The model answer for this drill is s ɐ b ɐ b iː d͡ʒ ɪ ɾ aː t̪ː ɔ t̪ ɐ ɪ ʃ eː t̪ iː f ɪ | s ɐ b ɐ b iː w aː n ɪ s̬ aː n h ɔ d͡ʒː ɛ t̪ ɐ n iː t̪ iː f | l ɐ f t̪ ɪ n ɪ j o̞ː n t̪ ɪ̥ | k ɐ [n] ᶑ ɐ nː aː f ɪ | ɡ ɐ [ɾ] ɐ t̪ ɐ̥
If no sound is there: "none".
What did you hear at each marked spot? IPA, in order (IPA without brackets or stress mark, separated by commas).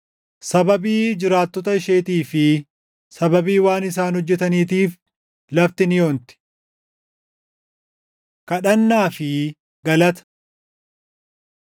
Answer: none, l